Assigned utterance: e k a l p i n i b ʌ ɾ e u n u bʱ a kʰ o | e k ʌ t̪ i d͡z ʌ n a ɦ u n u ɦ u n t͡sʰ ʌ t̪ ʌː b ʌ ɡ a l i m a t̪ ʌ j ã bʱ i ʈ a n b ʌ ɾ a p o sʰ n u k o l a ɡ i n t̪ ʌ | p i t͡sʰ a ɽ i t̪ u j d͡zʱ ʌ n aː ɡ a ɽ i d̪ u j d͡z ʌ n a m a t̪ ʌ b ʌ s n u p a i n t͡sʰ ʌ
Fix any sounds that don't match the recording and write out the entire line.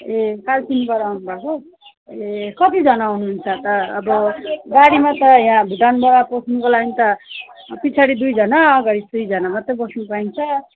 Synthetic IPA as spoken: e k a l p i n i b ʌ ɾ a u n u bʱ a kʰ o | e k ʌ t̪ i d͡z ʌ n a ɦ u n u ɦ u n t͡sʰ ʌ t̪ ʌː b ʌ ɡ a ɽ i m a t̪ ʌ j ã bʱ i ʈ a n b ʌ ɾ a p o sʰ n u k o l a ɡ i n t̪ ʌ | p i t͡sʰ a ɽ i d̪ u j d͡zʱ ʌ n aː ɡ a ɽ i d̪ u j d͡z ʌ n a m a t̪ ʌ b ʌ s n u p a i n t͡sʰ ʌ